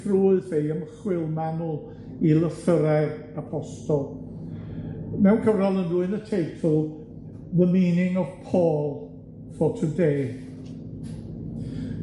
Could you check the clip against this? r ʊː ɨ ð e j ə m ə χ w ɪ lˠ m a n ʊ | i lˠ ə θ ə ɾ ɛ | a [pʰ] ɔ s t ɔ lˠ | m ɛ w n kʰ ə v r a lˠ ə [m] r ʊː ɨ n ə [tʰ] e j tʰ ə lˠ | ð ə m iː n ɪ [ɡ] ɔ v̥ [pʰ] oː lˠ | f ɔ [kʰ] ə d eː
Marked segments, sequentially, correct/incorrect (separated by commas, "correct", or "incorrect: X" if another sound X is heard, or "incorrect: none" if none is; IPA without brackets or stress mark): correct, incorrect: n, correct, incorrect: ŋ, correct, incorrect: tʰ